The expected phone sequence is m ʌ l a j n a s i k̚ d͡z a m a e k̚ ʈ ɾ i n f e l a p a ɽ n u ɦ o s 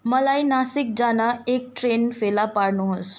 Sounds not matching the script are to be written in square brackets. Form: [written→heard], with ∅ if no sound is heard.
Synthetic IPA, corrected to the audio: m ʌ l a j n a s i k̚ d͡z a [m→n] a e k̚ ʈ ɾ [i→e] n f e l a p a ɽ n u ɦ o s